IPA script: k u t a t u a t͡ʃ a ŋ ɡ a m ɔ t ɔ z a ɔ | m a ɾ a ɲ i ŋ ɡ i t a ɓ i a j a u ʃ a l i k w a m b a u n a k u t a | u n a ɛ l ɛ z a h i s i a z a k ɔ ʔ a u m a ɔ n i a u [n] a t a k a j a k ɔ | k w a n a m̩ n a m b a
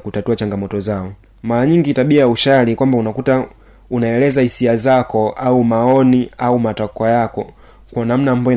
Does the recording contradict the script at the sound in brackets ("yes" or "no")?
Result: yes